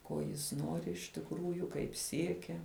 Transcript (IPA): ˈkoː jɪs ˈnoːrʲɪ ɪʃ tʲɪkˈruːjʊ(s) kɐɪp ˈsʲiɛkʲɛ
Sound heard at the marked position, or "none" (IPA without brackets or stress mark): none